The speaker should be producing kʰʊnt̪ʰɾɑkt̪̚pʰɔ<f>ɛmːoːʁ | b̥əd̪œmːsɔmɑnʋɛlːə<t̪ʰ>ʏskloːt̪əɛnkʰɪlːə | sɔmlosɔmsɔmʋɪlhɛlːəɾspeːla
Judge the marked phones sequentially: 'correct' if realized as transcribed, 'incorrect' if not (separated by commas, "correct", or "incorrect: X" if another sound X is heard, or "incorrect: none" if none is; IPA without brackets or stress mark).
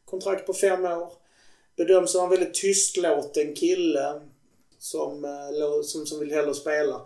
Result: correct, correct